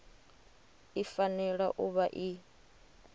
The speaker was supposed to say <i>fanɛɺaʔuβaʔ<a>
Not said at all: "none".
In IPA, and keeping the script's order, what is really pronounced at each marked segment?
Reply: i, i

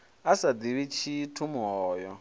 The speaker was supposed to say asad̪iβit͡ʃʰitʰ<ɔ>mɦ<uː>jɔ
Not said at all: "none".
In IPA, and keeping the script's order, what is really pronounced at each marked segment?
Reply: u, ɔː

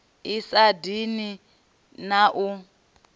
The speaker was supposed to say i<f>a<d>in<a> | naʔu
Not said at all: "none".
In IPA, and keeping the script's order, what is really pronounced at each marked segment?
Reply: s, d, i

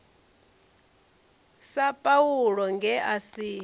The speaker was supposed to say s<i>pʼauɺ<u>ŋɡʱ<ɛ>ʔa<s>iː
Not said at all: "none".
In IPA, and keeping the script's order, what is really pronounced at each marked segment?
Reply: a, ɔ, ɛ, s

